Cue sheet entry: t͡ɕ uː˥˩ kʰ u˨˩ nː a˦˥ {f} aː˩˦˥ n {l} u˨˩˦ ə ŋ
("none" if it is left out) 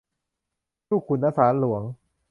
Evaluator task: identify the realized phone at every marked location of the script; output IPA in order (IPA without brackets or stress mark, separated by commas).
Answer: s, l